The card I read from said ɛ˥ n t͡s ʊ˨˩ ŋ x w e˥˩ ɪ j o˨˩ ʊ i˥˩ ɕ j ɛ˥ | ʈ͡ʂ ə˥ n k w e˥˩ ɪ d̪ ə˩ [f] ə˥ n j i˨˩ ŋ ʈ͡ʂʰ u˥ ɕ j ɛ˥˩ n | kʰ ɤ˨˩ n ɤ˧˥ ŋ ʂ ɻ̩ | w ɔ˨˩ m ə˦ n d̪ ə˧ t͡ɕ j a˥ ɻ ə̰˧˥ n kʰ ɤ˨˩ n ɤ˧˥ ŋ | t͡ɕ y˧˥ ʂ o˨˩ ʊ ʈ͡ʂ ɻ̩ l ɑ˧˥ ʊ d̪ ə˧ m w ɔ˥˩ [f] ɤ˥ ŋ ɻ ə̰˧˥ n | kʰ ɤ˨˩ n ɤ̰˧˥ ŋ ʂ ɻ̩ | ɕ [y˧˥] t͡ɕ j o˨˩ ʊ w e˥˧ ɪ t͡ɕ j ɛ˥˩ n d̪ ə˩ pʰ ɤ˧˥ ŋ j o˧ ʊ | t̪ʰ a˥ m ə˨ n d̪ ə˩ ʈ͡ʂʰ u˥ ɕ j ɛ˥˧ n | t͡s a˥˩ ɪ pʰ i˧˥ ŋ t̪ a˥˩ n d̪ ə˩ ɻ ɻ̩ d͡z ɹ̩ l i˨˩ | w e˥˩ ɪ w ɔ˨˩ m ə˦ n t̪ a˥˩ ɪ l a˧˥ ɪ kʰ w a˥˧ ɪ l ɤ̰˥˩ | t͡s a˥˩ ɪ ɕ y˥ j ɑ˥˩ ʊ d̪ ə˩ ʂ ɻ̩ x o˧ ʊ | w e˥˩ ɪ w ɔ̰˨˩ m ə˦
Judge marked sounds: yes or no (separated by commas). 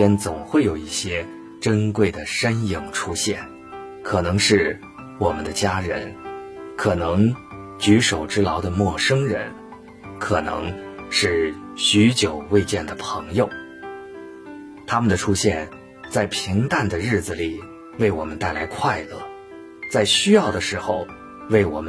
no, no, yes